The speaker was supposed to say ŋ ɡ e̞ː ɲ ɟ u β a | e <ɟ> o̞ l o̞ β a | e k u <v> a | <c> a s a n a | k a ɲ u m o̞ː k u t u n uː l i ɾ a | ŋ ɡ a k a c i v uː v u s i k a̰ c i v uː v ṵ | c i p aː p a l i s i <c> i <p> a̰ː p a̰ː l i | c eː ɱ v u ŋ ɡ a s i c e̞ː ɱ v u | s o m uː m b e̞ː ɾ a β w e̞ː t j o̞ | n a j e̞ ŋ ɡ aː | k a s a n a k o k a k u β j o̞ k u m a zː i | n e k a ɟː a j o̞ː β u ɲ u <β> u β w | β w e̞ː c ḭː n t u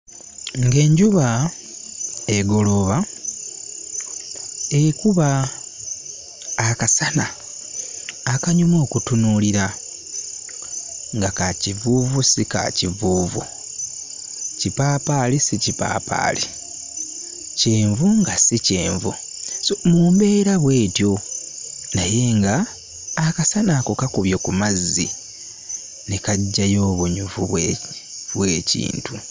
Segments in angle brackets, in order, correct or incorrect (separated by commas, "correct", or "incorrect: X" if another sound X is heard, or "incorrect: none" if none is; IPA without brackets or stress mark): incorrect: ɡ, incorrect: β, incorrect: k, correct, correct, incorrect: v